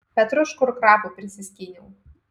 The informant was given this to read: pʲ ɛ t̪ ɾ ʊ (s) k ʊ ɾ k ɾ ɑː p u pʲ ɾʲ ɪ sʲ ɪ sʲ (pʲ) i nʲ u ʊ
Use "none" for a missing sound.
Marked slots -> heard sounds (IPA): ʃ, kʲ

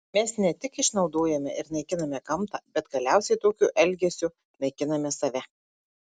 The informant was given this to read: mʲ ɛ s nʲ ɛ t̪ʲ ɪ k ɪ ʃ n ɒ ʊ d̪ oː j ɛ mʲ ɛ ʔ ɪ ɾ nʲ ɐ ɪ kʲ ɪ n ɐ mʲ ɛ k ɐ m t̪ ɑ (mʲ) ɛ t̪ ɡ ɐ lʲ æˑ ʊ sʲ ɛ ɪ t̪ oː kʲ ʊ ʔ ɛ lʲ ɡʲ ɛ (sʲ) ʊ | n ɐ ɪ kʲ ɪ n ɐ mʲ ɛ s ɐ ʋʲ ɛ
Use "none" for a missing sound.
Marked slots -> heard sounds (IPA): bʲ, sʲ

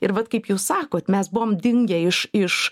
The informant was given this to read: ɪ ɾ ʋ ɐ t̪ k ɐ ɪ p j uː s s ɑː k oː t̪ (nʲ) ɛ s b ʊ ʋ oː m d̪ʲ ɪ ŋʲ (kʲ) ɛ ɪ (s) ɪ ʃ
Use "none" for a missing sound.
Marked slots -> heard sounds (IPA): mʲ, ɡʲ, ʃ

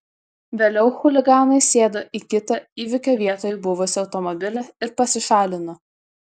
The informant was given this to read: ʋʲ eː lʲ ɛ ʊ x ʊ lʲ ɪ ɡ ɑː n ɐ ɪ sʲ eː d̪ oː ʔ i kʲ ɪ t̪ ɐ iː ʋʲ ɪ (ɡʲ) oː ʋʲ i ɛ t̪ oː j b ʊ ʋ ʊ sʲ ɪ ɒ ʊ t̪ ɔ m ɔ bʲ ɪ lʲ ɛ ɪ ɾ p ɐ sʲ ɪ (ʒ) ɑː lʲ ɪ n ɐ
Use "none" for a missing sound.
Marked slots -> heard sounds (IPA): kʲ, ʃ

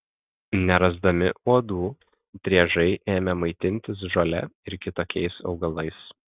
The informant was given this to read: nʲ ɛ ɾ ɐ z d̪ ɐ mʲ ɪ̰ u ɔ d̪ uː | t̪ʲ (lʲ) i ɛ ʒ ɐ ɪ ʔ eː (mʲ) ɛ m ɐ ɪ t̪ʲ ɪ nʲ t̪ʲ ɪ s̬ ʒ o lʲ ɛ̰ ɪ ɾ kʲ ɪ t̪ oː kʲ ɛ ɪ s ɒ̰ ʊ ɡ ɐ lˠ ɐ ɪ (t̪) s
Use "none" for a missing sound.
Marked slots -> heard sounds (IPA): ɾʲ, mʲ, none

